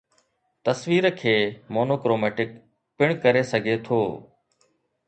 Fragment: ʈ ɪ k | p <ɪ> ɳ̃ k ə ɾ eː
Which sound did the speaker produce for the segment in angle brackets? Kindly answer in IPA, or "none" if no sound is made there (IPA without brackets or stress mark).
ɪ